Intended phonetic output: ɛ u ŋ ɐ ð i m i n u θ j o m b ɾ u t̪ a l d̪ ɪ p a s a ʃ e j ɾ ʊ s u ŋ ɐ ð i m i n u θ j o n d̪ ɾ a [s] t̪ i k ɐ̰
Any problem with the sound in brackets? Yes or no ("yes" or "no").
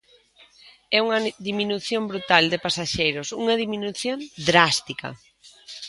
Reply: no